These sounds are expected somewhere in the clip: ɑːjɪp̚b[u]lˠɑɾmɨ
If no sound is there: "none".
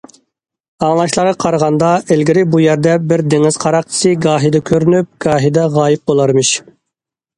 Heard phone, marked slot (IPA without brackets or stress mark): o